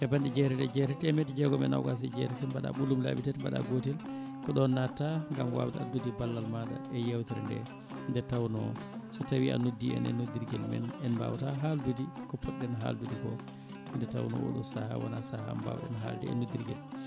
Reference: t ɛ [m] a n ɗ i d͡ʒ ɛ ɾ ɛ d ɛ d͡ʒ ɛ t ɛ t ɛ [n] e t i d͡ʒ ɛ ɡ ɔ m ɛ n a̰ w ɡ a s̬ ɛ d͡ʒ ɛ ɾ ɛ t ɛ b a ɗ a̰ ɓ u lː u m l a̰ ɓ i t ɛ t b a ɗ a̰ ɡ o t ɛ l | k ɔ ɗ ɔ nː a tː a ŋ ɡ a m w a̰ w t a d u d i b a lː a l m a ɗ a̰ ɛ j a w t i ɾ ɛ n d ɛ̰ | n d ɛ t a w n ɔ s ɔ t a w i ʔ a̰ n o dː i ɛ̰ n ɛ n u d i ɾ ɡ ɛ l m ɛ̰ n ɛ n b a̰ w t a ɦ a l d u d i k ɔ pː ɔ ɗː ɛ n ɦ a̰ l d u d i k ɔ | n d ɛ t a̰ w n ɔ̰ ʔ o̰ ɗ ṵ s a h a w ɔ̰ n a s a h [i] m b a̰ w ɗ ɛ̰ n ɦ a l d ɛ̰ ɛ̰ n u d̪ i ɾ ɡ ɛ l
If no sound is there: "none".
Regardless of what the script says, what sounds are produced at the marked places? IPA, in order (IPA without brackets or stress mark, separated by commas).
b, m, a